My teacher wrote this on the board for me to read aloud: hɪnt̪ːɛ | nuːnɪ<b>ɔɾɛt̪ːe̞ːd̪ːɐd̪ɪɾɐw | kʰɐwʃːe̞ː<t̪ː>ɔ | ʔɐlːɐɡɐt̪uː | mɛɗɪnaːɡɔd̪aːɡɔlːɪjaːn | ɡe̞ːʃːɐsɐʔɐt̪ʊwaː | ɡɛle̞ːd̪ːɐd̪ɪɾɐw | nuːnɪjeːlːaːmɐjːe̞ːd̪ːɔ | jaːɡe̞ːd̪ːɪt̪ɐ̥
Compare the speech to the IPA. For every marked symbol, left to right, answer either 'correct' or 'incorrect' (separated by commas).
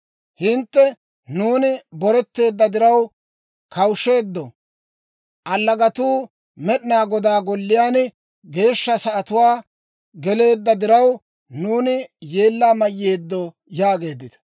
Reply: correct, incorrect